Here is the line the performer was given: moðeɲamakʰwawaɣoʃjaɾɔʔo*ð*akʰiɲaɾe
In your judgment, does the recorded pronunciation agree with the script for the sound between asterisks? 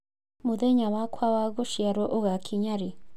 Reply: no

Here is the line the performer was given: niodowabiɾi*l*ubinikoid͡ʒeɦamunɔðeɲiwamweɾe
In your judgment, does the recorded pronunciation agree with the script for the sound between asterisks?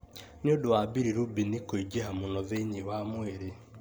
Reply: no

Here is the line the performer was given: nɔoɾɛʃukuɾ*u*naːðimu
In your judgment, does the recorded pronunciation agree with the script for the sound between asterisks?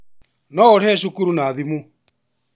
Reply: yes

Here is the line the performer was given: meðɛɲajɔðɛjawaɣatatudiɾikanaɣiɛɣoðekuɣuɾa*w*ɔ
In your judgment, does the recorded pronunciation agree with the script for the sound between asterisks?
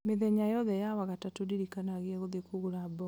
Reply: no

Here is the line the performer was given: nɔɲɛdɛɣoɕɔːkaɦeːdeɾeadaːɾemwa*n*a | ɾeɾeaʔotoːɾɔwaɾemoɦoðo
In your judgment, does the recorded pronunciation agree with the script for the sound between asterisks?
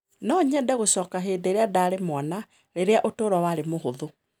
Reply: yes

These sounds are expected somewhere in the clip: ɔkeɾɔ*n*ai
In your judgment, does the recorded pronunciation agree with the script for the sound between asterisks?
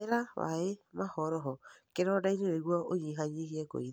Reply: no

